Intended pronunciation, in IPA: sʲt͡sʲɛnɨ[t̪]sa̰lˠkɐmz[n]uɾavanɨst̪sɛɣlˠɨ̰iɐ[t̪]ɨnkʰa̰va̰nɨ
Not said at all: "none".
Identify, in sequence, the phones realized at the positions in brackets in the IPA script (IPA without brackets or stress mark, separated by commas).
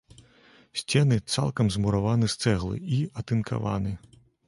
t̪, m, t̪